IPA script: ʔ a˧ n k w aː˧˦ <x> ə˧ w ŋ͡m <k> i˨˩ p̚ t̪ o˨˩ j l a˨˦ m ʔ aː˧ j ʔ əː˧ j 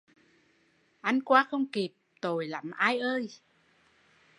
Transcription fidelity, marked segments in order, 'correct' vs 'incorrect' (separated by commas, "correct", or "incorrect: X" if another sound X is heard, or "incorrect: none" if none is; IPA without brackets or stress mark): correct, correct